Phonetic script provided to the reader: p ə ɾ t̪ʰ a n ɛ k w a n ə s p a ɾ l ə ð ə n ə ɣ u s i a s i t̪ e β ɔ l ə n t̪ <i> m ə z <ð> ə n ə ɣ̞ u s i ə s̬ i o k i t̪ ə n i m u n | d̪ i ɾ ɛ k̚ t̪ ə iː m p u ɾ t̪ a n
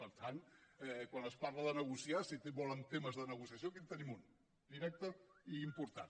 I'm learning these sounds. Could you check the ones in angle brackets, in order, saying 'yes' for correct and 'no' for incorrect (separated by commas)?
no, yes